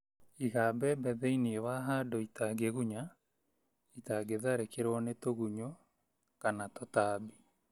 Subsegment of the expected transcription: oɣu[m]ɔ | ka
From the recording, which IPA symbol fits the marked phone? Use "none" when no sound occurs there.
ɲ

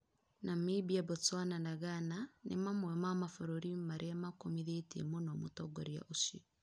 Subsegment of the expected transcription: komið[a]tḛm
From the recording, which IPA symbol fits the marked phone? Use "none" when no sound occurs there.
e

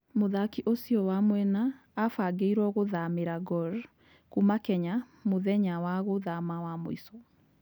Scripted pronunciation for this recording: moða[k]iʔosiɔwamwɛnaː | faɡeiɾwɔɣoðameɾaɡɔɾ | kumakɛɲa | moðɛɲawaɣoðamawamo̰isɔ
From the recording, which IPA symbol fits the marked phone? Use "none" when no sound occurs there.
k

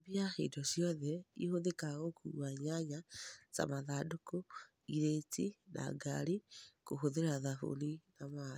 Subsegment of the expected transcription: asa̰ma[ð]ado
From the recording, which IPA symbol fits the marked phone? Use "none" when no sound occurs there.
ð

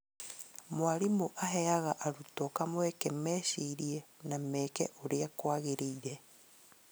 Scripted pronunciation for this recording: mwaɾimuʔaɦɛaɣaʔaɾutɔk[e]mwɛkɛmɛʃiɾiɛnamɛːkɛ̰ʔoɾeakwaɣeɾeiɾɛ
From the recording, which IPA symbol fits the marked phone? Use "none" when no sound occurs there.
a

